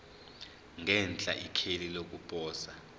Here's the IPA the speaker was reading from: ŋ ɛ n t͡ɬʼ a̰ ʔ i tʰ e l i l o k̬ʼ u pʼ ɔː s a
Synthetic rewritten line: ŋ ɛ n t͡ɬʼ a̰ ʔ i kʰ e l i l o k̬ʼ u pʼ ɔː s a